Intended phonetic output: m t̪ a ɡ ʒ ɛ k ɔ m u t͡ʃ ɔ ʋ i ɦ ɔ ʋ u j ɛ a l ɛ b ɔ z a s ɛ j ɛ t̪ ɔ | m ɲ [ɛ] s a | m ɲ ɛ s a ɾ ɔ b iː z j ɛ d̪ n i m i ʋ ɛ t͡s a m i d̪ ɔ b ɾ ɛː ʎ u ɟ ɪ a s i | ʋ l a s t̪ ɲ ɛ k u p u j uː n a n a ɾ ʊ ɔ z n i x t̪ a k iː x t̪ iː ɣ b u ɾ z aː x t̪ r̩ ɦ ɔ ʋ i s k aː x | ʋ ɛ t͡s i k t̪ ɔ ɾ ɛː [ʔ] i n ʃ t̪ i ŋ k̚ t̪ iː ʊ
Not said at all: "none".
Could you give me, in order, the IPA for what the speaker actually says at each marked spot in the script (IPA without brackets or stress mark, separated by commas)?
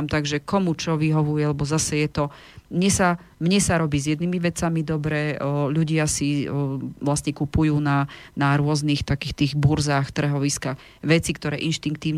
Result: ɛ, ʔ